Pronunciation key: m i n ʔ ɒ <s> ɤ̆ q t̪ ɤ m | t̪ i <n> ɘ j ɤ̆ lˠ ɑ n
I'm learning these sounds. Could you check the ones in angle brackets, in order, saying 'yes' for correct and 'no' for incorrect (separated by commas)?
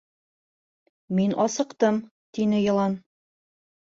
yes, yes